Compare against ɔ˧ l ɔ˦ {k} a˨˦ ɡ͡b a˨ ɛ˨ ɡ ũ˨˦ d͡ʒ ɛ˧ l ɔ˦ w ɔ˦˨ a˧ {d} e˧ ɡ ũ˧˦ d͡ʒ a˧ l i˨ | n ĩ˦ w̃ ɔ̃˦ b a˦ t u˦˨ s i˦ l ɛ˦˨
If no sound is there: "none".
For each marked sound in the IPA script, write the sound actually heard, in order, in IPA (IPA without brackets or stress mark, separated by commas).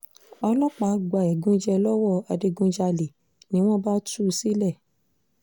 k͡p, d